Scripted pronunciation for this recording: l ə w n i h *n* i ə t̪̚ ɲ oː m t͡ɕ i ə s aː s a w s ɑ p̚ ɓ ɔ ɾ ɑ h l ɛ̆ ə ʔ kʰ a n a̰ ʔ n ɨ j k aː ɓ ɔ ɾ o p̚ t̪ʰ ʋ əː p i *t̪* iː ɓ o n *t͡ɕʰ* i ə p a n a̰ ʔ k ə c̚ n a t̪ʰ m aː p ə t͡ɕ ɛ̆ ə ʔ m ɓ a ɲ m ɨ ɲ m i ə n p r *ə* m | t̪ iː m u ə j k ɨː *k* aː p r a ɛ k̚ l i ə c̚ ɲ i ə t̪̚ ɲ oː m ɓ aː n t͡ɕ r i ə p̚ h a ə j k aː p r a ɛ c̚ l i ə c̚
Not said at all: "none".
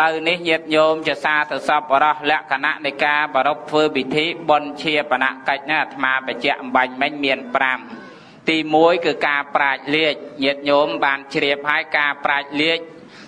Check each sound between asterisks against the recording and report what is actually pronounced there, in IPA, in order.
ɲ, t̪ʰ, t͡ɕʰ, a, k

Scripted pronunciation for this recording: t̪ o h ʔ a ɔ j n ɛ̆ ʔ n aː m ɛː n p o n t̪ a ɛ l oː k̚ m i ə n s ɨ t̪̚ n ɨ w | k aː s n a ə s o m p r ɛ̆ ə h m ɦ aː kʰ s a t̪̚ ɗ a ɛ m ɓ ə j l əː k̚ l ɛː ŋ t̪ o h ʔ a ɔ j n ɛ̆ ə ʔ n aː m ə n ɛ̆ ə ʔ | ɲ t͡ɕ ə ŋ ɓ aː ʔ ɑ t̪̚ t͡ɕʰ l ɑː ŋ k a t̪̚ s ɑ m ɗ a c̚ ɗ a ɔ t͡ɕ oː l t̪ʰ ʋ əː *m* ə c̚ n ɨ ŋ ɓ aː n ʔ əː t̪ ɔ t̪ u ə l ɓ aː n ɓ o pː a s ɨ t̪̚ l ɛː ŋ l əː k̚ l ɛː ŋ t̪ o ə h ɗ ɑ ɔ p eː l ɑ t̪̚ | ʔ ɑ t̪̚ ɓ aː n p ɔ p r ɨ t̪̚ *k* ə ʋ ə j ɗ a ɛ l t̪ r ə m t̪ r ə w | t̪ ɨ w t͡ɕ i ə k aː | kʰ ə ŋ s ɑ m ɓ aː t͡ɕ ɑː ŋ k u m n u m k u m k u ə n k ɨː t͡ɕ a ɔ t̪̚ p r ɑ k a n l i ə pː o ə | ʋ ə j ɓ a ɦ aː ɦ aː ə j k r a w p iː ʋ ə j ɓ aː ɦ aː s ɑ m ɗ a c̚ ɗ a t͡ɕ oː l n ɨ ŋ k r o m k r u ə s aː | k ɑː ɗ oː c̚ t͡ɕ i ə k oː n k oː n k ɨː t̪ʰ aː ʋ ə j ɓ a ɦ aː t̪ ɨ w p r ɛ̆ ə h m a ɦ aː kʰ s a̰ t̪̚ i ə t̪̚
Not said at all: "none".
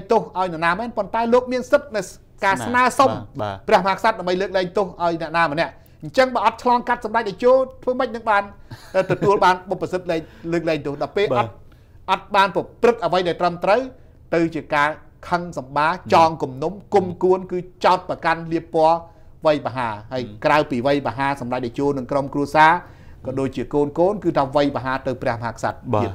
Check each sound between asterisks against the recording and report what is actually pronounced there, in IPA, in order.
m, ʔ

